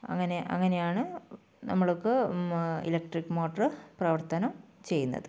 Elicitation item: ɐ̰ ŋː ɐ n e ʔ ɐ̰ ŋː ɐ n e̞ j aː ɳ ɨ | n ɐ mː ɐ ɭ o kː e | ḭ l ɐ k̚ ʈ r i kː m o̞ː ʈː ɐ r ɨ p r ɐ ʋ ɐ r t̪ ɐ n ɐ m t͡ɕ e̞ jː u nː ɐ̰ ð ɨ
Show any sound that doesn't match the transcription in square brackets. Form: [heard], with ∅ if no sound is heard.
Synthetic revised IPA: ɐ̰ ŋː ɐ n e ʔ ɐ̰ ŋː ɐ n e̞ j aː ɳ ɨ | n ɐ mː ɐ ɭ o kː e | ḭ l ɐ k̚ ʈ r i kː m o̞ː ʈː ɐ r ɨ p r ɐ ʋ ɐ r t̪ ɐ n ɐ m t͡ɕ e̞ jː u nː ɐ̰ ð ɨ